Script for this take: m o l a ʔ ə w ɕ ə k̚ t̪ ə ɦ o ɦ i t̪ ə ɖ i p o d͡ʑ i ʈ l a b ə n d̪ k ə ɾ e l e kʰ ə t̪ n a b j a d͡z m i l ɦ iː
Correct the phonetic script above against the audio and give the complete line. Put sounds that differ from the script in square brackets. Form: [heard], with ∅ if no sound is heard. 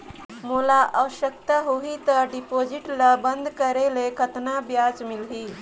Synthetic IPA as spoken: m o l a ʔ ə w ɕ ə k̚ t̪ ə ɦ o ɦ i t̪ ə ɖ i p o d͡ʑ i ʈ l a b ə n d̪ k ə ɾ e l e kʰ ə t̪ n a b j a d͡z m i l ɦ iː